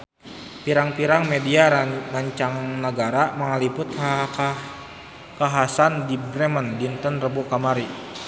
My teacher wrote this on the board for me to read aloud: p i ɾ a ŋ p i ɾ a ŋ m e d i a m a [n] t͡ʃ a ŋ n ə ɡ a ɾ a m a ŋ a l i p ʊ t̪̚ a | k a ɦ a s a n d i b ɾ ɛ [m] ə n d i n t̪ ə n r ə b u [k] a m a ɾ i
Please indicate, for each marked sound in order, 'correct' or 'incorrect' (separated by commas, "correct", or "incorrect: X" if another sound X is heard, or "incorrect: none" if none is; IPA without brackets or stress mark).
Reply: incorrect: ɲ, correct, correct